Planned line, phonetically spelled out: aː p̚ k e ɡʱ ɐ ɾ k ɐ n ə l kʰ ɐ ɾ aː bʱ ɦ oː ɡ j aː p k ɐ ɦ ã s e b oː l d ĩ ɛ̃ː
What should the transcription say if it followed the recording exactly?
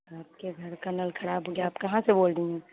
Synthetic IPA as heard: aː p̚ k e ɡʱ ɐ ɾ k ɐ n ə l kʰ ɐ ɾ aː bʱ ɦ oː ɡ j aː p k ɐ ɦ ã s e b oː l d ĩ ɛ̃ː